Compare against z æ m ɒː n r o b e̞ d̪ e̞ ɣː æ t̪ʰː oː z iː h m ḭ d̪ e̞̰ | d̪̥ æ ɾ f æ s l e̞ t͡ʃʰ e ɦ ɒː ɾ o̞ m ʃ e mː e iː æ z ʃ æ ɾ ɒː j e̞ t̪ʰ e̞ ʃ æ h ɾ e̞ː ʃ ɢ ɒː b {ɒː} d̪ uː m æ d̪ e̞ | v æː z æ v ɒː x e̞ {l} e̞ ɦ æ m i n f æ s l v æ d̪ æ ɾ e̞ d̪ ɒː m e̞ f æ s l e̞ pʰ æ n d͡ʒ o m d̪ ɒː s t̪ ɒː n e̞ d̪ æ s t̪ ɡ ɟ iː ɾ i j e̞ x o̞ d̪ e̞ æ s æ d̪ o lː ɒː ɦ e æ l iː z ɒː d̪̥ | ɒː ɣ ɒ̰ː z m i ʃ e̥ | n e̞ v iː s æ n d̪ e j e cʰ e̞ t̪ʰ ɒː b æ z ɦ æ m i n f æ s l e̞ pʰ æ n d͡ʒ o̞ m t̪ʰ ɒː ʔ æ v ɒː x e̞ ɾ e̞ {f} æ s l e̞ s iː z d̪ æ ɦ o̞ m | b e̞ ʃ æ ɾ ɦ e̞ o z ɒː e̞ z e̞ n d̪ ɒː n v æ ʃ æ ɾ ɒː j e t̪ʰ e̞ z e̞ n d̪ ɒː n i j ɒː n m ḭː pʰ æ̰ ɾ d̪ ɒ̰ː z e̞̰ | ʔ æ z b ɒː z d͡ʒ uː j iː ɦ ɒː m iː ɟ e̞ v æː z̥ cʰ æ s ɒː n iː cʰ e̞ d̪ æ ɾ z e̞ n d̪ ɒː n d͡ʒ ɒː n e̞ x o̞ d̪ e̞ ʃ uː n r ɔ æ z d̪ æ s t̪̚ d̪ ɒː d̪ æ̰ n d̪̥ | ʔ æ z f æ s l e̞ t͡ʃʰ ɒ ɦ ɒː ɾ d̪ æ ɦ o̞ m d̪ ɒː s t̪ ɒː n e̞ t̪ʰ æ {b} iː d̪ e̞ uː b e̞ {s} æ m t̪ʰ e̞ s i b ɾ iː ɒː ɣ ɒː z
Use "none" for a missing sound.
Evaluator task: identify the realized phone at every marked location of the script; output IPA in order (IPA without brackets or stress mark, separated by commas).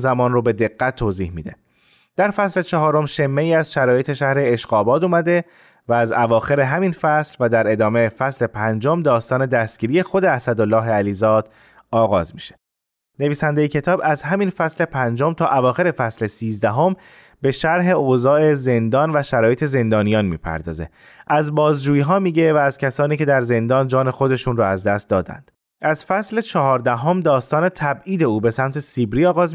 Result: ɒː, ɾ, f, b, s